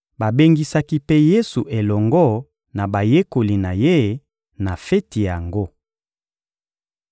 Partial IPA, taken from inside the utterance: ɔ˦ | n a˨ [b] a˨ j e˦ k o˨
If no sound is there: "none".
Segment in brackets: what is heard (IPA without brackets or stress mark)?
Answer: b